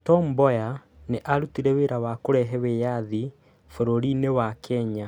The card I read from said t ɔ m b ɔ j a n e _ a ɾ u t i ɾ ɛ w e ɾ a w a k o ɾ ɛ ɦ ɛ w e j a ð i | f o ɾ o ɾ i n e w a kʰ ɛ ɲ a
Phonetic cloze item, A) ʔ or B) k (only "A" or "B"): A